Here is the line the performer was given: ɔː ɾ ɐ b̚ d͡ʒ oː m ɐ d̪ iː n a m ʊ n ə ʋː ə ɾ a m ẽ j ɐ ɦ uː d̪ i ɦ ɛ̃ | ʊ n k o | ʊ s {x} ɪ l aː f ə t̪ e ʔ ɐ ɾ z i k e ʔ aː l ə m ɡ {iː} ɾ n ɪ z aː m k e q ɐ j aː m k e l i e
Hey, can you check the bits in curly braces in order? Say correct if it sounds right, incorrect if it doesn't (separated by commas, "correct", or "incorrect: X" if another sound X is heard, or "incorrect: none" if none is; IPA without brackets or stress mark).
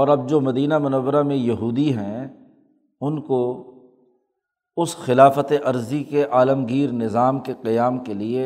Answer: correct, correct